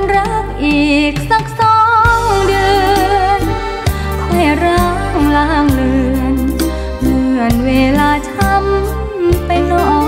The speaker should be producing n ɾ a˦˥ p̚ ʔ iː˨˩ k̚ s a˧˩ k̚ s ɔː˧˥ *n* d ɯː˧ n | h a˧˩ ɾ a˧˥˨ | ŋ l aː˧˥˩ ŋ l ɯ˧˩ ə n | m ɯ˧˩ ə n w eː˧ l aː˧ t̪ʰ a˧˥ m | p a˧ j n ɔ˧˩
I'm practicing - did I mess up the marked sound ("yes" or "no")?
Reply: yes